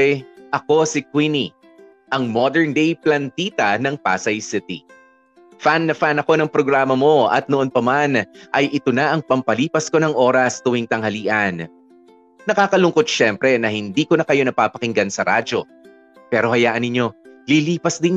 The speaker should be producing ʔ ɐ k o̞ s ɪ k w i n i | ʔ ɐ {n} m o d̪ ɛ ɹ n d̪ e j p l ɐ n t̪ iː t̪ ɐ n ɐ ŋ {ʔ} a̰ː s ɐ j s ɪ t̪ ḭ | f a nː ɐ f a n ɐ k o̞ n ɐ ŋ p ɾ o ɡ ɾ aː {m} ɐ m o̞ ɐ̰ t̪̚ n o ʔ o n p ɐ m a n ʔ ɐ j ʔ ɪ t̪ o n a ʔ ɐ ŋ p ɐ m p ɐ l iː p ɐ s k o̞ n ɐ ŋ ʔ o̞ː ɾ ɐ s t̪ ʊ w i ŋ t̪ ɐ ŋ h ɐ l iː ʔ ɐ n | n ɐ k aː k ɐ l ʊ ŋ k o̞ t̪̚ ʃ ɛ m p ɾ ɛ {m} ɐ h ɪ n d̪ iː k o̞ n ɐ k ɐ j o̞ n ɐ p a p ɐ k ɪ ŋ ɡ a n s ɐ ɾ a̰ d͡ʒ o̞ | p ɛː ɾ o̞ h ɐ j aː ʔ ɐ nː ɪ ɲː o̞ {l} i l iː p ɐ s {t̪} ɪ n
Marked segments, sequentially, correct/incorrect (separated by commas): incorrect, incorrect, correct, incorrect, correct, incorrect